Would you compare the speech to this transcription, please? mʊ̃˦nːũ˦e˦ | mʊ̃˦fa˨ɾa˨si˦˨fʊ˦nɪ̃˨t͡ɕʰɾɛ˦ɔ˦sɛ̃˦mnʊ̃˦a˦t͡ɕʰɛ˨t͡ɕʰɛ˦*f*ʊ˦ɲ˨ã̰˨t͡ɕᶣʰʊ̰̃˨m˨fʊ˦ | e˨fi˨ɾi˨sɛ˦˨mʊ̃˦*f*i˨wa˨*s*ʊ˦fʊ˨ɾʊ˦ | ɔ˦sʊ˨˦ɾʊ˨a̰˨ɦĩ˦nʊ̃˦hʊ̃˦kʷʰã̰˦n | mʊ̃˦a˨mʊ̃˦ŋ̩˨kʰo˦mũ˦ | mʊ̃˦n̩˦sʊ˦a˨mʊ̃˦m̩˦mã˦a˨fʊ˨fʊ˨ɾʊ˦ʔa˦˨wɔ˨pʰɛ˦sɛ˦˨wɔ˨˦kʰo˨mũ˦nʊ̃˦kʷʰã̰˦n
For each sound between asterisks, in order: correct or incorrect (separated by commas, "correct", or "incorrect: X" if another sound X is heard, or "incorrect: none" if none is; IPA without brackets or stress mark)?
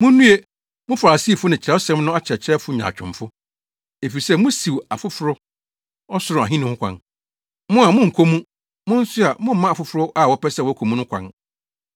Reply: correct, incorrect: s, incorrect: f